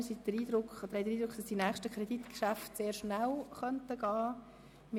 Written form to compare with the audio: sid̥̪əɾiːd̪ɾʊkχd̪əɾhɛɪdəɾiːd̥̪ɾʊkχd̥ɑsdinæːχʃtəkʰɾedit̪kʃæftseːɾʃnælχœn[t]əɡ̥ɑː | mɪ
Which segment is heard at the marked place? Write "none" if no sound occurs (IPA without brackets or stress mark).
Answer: t